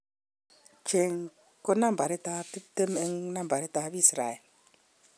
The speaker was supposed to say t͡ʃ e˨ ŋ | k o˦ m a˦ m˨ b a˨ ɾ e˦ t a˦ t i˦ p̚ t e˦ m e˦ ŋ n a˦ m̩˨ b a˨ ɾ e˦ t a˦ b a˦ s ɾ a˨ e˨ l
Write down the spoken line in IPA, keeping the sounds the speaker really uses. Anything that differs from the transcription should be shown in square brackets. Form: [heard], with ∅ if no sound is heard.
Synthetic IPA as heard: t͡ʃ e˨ ŋ | k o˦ [n] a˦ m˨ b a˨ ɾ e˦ t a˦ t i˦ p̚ t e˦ m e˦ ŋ n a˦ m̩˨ b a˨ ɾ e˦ t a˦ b [i˦] s ɾ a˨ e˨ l